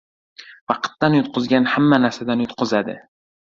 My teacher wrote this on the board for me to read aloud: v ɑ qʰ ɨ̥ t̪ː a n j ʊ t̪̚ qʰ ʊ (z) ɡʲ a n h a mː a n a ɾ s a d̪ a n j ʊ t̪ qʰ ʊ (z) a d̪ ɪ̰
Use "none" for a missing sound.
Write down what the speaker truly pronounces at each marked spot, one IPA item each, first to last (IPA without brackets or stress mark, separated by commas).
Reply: z, z